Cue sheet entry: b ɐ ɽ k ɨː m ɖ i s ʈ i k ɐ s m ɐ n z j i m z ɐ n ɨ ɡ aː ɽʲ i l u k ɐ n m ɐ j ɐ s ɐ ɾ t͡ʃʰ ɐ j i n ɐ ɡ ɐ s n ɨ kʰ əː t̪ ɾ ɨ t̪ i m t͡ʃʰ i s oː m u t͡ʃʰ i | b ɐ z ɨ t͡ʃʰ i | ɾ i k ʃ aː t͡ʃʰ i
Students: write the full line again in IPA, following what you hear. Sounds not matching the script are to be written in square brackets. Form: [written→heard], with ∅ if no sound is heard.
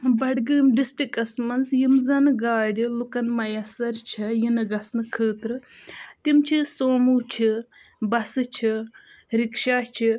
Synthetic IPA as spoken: b ɐ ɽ [k→ɡ] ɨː m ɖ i s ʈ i k ɐ s m ɐ n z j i m z ɐ n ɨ ɡ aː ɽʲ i l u k ɐ n m ɐ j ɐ s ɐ ɾ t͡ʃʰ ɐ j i n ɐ ɡ ɐ s n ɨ kʰ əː t̪ ɾ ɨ t̪ i m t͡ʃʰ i s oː m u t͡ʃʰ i | b ɐ [z→s] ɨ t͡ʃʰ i | ɾ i k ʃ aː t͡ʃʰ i